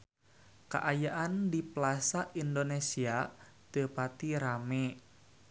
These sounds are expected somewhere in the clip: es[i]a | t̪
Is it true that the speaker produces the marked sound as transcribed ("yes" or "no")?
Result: yes